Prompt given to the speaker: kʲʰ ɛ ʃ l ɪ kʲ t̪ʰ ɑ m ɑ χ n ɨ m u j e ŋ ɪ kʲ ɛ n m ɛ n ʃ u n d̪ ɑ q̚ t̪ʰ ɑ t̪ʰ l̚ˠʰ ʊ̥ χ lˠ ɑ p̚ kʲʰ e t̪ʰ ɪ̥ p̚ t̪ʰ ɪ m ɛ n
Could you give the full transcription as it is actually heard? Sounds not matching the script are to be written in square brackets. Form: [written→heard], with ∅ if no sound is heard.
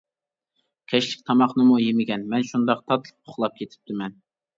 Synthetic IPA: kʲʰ ɛ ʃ l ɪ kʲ t̪ʰ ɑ m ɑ χ n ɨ m u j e [ŋ→m] ɪ [kʲ→ɡʲ] ɛ n m ɛ n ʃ u n d̪ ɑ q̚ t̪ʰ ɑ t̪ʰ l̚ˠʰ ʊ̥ χ lˠ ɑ p̚ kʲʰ e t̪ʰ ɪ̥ p̚ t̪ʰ ɪ m ɛ n